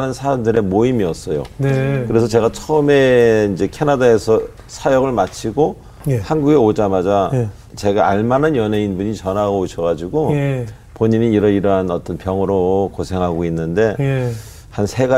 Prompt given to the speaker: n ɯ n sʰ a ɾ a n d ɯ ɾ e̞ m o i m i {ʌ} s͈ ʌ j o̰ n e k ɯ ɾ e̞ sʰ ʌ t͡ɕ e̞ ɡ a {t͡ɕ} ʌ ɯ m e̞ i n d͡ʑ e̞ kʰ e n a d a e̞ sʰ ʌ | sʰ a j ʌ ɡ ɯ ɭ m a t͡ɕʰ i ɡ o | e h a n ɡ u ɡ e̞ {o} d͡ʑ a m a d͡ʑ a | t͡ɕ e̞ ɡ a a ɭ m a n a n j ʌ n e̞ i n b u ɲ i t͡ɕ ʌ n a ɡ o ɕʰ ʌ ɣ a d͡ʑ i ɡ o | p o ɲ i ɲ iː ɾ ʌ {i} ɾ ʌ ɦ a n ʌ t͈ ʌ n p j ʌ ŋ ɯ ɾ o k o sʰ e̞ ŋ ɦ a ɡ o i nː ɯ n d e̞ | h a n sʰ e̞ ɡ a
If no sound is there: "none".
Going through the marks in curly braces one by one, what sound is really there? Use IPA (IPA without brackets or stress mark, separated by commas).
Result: ʌ, t͡ɕʰ, o, i